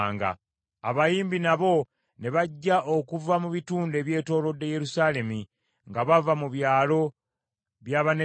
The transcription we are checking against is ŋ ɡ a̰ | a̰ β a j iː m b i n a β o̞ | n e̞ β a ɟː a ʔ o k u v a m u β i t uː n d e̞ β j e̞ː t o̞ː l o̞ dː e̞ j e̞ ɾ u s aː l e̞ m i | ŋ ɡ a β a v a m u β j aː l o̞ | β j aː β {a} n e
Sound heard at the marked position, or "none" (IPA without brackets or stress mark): a